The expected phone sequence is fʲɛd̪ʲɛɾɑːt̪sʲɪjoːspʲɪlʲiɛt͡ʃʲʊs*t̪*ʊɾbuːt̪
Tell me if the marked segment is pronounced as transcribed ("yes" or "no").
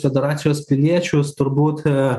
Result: yes